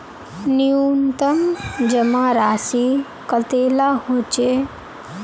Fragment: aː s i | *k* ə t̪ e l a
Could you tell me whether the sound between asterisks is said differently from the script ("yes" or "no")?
no